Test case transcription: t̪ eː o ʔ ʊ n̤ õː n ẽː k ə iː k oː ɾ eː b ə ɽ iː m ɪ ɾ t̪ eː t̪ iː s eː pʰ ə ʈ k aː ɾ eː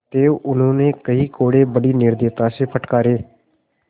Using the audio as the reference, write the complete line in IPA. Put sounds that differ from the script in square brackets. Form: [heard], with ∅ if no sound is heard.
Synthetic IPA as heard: t̪ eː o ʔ ʊ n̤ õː n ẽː k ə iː k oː [ɽ] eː b ə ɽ iː [n] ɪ ɾ [d̪] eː t̪ [aː] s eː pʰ ə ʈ k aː ɾ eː